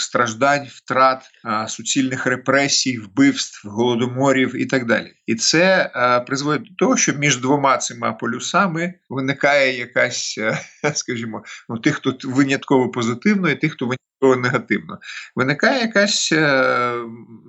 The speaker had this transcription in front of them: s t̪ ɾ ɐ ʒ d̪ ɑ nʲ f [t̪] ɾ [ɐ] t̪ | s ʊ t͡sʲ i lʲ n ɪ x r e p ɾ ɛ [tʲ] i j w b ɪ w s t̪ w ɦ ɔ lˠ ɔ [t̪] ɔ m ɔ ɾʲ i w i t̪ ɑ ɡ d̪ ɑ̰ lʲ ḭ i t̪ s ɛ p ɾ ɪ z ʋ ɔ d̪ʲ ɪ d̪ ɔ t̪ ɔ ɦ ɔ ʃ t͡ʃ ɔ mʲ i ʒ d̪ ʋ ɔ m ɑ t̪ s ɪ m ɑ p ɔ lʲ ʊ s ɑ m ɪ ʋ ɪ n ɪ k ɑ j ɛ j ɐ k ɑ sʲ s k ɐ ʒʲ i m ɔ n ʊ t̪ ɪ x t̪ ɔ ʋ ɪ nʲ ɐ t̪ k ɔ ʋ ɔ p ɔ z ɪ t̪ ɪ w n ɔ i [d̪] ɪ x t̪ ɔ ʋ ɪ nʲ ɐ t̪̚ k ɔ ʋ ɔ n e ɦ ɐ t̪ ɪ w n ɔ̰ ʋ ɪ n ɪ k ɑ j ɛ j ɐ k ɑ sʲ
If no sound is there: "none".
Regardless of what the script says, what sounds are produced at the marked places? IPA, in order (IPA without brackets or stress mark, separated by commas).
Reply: t̪, ɑ, sʲ, d̪, t̪